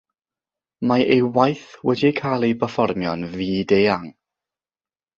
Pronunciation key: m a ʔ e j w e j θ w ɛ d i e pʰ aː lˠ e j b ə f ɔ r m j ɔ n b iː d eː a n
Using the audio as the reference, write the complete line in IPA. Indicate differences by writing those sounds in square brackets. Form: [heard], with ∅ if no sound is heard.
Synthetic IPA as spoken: m a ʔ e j w [a] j θ w ɛ d i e [kʰ] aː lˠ e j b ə f ɔ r m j ɔ n [v] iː d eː a [ŋ]